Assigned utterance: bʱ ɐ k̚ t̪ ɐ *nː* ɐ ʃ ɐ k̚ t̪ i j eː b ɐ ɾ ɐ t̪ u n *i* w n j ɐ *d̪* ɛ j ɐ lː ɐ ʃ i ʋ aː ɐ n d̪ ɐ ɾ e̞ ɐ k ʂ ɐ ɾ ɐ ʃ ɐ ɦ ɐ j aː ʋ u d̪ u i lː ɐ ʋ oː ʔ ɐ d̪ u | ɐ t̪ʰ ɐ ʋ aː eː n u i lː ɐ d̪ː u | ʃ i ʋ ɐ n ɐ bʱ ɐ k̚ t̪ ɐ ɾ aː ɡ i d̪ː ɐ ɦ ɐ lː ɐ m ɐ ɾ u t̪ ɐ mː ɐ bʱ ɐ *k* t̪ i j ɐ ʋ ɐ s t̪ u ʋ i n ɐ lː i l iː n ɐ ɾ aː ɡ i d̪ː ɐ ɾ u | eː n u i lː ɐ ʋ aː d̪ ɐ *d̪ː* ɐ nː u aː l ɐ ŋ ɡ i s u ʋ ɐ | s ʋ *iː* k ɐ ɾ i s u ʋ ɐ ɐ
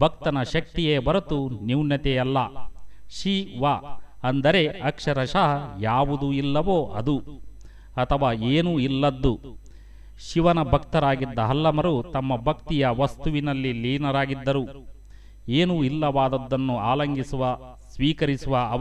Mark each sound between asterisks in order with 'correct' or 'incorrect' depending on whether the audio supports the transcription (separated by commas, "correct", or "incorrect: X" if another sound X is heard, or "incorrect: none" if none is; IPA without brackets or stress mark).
incorrect: n, correct, incorrect: t̪, correct, correct, correct